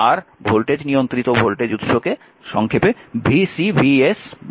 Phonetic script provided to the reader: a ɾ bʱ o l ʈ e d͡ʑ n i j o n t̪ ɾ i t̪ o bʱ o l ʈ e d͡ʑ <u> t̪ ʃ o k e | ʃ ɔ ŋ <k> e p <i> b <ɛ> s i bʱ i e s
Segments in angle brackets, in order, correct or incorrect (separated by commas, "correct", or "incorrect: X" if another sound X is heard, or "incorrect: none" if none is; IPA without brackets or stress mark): correct, incorrect: kʰ, incorrect: e, incorrect: i